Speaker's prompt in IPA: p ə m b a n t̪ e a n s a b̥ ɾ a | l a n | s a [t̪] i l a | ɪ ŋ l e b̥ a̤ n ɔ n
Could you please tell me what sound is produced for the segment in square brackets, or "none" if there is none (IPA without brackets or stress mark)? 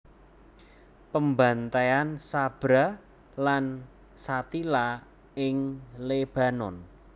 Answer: t̪